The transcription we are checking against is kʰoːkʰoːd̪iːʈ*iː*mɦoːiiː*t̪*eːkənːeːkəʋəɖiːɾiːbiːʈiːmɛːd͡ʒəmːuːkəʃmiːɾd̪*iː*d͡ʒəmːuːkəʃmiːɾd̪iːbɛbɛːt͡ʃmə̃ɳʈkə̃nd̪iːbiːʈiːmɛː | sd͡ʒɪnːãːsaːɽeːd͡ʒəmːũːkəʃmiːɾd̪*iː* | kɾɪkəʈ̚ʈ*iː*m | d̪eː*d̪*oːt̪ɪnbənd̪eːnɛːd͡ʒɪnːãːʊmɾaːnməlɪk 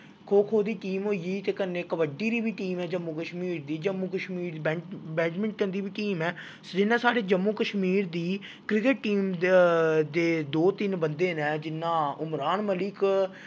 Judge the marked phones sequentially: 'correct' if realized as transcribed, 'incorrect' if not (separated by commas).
correct, correct, correct, correct, correct, correct